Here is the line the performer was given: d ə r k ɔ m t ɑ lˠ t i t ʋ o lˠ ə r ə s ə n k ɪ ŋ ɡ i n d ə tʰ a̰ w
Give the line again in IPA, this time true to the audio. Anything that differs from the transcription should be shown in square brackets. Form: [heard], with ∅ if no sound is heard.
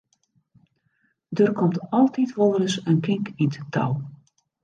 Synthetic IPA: d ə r k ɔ m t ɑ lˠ t i t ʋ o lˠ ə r ə s ə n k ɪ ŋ [k] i n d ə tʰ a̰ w